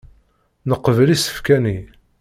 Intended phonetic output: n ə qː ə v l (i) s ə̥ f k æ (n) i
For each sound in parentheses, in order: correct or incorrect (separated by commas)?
correct, correct